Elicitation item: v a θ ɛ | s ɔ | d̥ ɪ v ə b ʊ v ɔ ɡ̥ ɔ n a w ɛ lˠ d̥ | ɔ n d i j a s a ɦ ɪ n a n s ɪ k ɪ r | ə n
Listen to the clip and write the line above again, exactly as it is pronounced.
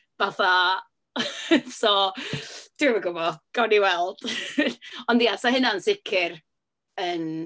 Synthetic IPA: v a θ a | s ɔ | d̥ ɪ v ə ɡ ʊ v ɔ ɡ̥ ɔ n i w ɛ lˠ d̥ | ɔ n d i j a s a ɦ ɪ n a n s ɪ kʰ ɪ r | ə n